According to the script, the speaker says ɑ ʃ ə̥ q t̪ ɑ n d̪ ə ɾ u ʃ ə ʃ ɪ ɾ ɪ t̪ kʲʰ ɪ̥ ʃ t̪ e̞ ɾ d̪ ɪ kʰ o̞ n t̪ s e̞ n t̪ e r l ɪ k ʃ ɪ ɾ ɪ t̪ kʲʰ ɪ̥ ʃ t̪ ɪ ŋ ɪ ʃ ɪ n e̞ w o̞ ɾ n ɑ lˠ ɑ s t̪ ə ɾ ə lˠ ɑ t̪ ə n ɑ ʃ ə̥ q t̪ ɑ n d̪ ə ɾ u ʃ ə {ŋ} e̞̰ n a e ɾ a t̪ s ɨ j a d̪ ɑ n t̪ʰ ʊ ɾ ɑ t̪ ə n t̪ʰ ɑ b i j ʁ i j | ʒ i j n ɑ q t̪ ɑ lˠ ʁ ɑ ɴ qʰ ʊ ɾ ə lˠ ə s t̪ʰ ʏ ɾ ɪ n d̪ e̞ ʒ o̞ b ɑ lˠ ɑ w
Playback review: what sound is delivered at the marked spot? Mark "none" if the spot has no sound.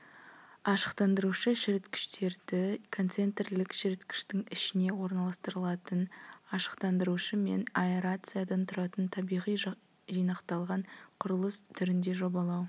m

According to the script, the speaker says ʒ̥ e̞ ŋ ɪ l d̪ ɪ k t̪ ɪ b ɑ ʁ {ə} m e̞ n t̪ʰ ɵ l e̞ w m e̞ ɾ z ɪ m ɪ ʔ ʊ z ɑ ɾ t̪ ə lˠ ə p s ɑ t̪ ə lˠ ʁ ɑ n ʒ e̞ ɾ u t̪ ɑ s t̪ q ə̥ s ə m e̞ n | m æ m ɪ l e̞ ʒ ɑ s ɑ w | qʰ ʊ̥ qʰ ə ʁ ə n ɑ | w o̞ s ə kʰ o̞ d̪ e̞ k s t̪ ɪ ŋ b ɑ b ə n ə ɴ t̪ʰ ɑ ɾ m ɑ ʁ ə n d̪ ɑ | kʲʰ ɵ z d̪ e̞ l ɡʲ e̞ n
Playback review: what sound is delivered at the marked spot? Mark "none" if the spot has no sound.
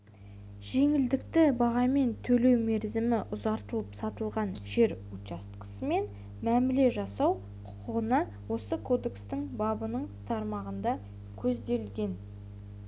ɑ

